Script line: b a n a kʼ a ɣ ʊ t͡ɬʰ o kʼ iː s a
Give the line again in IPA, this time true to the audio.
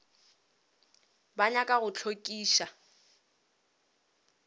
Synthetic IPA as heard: b a ɲ a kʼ a ɣ ʊ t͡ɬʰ o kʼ iː ʃ a